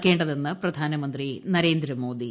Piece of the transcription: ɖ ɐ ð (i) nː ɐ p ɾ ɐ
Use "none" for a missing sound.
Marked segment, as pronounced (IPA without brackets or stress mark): e